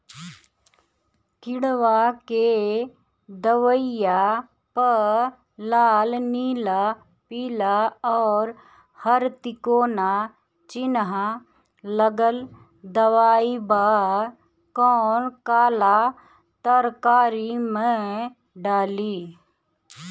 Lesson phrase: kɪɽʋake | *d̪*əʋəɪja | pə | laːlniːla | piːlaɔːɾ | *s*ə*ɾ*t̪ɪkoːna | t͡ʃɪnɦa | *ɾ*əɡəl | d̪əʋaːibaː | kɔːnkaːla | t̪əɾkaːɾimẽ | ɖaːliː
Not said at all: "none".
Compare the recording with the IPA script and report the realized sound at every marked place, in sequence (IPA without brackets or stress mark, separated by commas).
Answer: d̪, h, ɾ, l